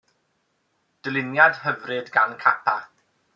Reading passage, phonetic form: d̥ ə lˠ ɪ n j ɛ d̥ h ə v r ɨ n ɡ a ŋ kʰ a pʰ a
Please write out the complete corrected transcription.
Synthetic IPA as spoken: d̥ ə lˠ ɪ n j a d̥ h ə v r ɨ d ɡ a n kʰ a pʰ a